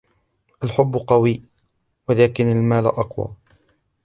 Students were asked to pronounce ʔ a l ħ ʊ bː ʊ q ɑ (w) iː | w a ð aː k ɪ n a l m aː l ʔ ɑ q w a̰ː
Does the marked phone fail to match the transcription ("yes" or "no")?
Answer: no